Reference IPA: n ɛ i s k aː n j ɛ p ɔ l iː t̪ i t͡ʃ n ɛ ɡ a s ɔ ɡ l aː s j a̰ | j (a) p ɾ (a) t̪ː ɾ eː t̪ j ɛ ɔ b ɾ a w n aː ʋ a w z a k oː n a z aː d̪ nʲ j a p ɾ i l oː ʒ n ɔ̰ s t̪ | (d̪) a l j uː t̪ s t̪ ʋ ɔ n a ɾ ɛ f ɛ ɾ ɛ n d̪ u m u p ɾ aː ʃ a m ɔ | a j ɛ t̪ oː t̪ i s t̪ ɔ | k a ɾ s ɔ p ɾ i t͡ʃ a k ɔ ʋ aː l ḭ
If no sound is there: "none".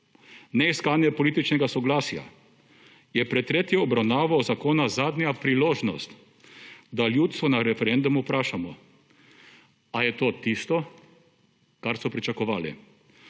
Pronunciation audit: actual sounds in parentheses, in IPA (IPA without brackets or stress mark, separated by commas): ɛ, ɛ, d̪